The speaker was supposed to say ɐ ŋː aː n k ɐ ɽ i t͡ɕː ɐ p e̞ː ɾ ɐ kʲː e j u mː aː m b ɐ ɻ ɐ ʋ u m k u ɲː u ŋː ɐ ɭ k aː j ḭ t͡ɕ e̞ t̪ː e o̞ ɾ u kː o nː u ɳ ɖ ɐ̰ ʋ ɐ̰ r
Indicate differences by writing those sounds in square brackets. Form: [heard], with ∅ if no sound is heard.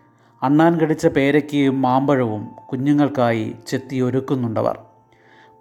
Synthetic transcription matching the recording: ɐ [ɳː] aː n k ɐ ɽ i t͡ɕː ɐ p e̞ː ɾ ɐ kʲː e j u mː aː m b ɐ ɻ ɐ ʋ u m k u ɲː u ŋː ɐ ɭ k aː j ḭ t͡ɕ e̞ t̪ː [i] o̞ ɾ u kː [u] nː u ɳ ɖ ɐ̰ ʋ ɐ̰ r